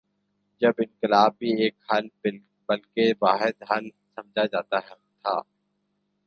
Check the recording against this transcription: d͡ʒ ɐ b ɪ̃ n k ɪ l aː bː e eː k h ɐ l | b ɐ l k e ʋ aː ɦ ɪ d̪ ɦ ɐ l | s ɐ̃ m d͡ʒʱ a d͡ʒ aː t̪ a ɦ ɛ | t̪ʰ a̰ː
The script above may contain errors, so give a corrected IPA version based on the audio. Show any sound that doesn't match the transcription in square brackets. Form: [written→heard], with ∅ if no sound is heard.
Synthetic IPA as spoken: d͡ʒ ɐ b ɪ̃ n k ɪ l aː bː [e→i] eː k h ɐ l | b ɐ l k e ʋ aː ɦ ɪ d̪ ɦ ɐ l | s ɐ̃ m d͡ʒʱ a d͡ʒ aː t̪ a ɦ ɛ | t̪ʰ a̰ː